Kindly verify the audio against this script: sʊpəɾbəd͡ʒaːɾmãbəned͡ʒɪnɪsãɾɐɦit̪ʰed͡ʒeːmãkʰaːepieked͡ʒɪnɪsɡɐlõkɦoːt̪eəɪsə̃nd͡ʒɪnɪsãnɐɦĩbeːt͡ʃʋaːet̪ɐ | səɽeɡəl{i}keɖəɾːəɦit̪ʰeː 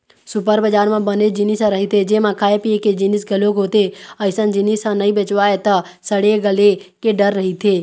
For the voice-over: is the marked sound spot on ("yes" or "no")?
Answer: no